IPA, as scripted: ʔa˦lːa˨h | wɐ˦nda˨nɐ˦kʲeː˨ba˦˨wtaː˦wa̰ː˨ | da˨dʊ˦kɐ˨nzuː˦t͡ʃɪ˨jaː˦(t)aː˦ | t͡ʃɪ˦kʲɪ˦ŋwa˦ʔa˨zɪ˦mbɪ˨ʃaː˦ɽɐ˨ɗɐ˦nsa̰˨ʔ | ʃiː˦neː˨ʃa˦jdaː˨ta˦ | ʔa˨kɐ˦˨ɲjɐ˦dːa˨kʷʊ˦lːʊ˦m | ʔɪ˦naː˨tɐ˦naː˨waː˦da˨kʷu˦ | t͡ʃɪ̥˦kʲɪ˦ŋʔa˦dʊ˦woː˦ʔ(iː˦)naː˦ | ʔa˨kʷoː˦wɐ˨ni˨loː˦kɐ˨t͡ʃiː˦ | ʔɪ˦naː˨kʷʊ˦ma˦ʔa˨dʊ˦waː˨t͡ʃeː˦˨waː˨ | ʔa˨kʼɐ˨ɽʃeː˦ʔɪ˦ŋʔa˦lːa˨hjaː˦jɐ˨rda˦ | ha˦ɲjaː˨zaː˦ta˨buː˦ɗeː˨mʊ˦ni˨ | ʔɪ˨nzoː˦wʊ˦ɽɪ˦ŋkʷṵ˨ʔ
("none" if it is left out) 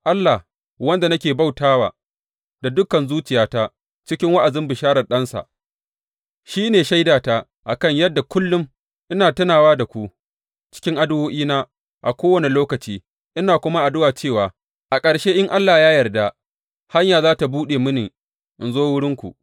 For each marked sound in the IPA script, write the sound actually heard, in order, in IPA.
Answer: t, iː˦

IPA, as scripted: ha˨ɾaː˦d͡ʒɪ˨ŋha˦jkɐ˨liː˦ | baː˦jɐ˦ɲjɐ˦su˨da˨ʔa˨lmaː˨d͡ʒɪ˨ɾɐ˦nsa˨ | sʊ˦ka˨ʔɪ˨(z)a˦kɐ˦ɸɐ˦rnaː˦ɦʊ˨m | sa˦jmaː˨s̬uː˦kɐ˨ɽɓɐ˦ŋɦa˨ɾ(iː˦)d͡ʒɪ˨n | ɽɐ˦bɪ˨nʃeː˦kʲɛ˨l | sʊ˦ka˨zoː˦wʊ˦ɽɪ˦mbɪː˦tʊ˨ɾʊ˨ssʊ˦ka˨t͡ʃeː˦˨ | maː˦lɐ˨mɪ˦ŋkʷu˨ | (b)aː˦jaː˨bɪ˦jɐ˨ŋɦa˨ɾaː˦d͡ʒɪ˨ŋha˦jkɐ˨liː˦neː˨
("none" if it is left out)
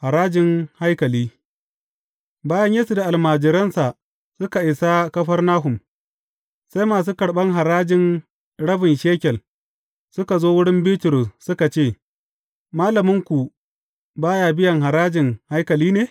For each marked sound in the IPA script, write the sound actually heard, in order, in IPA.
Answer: s, aː˦, b

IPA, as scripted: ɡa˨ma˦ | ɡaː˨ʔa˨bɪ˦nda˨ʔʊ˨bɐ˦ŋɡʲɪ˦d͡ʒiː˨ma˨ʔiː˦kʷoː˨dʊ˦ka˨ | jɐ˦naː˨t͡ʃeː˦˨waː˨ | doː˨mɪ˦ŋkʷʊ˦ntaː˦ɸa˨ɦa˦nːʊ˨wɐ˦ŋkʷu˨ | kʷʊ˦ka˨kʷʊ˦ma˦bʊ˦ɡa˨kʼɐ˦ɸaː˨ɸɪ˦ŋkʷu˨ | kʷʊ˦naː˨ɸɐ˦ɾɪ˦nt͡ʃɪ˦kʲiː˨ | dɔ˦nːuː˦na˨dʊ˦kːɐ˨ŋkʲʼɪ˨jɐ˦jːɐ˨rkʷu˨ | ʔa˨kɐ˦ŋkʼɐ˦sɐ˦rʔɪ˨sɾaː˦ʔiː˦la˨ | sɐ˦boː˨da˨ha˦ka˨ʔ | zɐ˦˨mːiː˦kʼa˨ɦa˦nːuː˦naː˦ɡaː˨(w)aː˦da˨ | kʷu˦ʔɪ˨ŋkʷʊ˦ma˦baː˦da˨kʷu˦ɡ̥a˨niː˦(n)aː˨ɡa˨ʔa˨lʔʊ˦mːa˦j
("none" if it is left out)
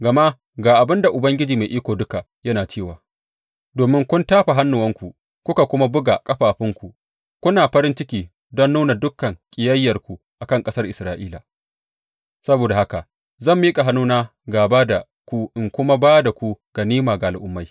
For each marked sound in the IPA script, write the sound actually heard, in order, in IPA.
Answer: b, m

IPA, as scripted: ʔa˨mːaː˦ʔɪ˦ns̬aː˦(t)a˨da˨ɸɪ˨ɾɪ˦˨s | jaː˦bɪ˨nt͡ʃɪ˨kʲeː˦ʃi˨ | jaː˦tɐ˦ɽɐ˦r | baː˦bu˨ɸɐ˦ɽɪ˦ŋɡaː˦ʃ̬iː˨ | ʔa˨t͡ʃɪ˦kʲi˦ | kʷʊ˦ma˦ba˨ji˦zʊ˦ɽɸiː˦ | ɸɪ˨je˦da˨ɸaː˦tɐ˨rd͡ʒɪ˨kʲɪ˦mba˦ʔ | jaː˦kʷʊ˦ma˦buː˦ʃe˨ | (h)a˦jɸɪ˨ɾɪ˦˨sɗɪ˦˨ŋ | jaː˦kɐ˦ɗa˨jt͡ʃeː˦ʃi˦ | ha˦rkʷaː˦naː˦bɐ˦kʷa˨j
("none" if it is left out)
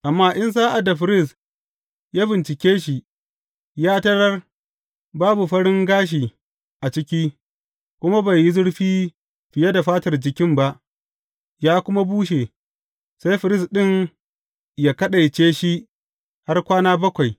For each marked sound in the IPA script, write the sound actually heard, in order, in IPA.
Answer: ʔ, s

